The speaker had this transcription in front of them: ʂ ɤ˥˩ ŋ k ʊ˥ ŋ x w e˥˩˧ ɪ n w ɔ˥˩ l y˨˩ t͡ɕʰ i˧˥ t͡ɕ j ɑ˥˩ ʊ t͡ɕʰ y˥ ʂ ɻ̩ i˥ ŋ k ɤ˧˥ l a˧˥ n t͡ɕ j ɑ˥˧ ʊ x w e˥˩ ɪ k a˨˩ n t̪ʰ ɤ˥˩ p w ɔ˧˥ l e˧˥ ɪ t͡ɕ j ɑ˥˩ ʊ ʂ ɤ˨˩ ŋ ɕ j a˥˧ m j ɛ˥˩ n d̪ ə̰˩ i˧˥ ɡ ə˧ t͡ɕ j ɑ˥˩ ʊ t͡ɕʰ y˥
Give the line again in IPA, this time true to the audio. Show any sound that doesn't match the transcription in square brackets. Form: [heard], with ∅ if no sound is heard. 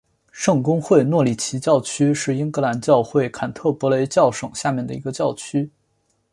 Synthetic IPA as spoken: ʂ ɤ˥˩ ŋ k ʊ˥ ŋ x w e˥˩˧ ɪ n w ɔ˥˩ l [i˨˩] t͡ɕʰ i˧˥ t͡ɕ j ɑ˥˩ ʊ t͡ɕʰ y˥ ʂ ɻ̩ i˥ ŋ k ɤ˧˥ l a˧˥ n t͡ɕ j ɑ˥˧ ʊ x w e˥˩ ɪ [kʰ] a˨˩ n t̪ʰ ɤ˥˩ p w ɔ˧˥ l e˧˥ ɪ t͡ɕ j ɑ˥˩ ʊ ʂ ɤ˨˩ ŋ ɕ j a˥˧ m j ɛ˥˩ n d̪ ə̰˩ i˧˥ ɡ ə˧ t͡ɕ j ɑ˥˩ ʊ t͡ɕʰ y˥